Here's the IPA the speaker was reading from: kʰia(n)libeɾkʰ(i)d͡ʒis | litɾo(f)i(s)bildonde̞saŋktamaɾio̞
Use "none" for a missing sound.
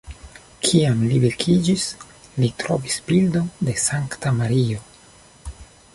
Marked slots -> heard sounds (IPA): m, i, v, s

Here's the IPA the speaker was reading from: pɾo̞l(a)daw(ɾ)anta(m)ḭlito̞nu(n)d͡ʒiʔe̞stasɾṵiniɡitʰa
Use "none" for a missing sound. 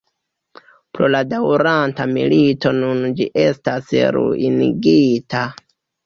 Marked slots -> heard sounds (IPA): a, ɾ, m, n

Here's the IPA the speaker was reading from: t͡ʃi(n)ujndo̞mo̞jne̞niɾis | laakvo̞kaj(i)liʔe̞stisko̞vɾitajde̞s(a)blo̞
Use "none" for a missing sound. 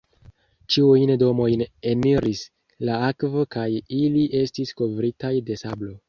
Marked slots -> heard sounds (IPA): none, i, a

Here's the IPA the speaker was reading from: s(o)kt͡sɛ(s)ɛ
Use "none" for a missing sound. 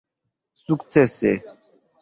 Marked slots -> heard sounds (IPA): u, s

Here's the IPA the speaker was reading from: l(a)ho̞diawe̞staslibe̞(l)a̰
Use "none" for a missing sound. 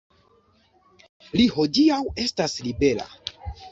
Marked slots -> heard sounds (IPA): i, l

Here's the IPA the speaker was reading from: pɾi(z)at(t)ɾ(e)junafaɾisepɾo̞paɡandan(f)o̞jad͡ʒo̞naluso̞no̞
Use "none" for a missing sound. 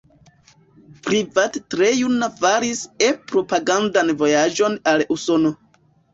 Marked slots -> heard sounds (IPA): v, t, e, v

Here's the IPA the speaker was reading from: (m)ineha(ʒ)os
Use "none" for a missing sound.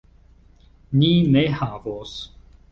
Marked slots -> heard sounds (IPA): n, v

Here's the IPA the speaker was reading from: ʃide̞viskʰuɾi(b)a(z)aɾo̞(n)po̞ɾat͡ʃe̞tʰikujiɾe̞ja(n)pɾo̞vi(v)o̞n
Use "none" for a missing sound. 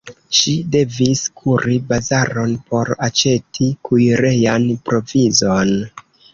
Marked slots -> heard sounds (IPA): b, z, n, n, z

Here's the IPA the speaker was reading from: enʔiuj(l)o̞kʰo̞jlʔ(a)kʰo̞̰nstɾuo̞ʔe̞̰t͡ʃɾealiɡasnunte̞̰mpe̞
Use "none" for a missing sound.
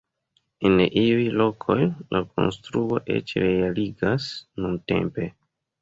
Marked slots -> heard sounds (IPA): l, a

